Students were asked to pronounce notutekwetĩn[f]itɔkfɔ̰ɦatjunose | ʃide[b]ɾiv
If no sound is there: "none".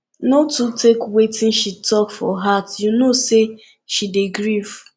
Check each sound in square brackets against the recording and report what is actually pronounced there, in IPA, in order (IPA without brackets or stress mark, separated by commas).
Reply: ʃ, ɡ